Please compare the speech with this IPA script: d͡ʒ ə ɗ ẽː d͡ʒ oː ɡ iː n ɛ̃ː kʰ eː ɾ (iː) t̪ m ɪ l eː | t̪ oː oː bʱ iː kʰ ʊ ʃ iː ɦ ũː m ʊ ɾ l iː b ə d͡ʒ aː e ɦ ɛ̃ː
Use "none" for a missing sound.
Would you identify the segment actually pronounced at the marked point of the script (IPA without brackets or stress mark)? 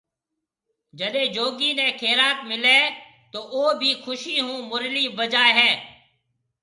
aː